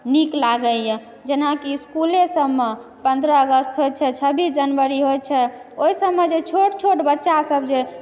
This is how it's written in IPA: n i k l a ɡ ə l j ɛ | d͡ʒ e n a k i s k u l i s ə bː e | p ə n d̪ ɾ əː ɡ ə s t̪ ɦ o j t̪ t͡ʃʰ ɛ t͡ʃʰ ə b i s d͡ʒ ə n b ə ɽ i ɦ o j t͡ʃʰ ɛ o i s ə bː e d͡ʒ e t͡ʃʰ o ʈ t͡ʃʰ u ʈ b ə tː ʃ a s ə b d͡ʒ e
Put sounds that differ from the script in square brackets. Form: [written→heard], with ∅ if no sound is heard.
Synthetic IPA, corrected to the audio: n i k l a ɡ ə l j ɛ | d͡ʒ e n a k i s k u l [i→e] s ə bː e | p ə n d̪ ɾ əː ɡ ə s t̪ ɦ o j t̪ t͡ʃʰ ɛ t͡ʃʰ ə b i s d͡ʒ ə n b ə [ɽ→ɾ] i ɦ o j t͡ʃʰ ɛ o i s ə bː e d͡ʒ e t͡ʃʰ o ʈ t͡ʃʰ [u→o] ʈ b ə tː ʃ a s ə b d͡ʒ e